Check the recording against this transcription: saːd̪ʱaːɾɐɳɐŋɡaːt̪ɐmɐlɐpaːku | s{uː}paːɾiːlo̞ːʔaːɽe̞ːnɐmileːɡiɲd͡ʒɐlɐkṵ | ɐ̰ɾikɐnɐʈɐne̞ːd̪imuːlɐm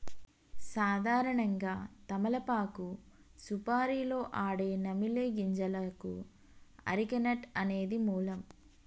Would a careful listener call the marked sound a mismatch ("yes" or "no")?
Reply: yes